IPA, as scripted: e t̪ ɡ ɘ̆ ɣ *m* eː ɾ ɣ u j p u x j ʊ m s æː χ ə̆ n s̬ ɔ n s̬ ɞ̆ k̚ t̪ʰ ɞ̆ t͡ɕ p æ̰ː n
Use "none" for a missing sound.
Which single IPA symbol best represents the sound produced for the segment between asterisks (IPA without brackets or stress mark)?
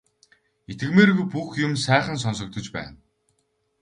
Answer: m